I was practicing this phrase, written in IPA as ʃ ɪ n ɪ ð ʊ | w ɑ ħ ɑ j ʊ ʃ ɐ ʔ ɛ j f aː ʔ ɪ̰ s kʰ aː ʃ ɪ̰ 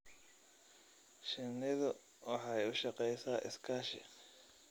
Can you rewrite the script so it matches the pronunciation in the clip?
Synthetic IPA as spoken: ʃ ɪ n ɪ ð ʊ | w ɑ ħ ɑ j ʊ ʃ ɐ q ɛ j s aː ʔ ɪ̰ s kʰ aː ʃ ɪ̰